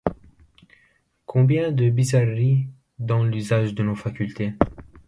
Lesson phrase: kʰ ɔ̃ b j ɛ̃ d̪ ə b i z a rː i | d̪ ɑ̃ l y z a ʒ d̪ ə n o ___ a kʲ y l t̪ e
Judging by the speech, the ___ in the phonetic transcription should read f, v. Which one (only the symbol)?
f